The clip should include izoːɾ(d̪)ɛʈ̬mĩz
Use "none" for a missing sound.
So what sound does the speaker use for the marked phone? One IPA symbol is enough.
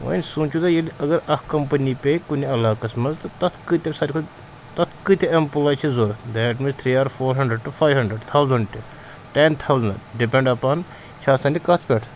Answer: d̪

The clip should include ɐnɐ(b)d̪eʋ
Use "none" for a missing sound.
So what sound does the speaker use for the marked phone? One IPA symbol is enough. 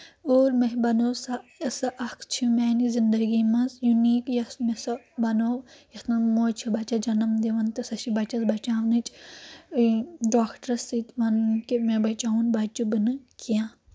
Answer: m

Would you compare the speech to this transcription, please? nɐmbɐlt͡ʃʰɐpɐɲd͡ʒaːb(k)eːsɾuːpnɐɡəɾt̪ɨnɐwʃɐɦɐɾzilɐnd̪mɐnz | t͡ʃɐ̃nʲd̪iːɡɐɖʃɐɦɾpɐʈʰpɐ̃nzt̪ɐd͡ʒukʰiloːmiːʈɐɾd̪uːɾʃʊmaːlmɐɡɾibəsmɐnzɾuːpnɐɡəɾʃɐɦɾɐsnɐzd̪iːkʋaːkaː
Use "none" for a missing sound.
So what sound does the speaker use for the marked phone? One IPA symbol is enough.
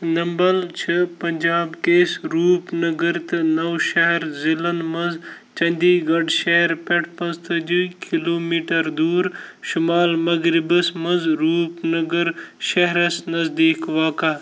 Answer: k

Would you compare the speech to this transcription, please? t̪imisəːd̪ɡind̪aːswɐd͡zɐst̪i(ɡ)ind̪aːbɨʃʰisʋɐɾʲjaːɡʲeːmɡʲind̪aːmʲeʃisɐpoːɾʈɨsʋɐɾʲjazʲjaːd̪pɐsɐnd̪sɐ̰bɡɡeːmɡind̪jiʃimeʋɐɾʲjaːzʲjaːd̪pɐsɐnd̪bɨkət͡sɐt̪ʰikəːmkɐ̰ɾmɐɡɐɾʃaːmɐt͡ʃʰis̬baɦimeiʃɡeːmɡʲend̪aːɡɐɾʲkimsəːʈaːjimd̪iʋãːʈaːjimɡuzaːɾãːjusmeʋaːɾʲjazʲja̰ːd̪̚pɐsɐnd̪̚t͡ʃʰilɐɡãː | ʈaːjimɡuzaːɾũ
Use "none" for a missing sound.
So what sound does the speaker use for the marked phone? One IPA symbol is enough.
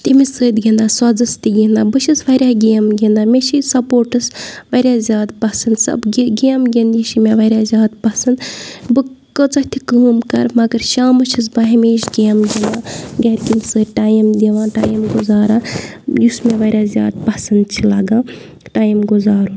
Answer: ɡ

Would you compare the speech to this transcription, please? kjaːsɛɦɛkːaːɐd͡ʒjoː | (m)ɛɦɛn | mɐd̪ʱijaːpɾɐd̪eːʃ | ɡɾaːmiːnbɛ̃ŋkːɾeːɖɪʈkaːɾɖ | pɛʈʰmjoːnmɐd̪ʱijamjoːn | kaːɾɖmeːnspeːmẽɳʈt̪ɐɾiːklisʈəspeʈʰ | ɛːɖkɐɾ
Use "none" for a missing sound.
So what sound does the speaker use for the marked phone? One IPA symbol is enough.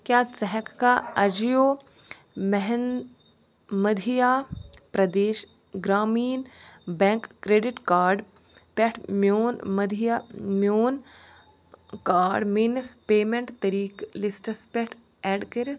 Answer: m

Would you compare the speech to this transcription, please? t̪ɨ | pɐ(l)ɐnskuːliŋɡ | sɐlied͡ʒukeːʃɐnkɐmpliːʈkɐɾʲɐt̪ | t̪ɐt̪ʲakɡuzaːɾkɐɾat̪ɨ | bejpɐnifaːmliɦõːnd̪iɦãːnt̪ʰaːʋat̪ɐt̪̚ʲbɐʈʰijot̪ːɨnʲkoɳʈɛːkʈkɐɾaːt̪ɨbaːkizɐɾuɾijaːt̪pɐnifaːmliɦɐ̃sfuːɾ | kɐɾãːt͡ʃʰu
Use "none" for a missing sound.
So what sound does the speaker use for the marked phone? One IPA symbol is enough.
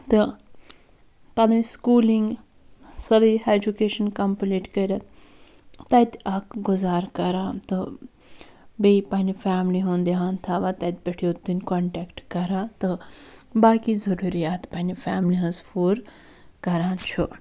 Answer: l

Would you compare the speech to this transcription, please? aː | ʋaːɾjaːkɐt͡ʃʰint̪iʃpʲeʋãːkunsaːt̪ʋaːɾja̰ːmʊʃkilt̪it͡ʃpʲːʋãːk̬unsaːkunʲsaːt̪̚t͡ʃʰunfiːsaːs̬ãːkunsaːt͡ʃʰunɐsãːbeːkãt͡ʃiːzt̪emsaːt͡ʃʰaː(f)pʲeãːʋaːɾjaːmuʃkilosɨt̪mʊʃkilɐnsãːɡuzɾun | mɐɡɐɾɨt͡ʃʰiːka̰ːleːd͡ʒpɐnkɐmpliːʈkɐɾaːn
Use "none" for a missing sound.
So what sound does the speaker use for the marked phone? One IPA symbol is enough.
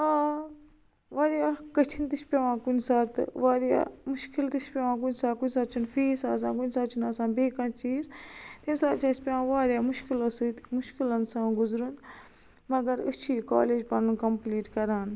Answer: s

